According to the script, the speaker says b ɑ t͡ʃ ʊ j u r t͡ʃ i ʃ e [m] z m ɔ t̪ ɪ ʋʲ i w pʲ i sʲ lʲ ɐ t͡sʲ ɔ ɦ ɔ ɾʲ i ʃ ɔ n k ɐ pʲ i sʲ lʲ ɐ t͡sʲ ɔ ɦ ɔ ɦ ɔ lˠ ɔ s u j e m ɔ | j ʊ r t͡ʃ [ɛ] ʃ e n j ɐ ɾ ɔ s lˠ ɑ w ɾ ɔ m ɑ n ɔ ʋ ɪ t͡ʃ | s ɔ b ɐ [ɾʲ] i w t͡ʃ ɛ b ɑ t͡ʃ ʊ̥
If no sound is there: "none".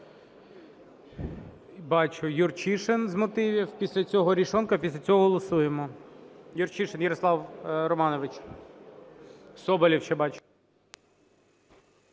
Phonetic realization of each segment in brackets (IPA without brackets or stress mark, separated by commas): n, i, lʲ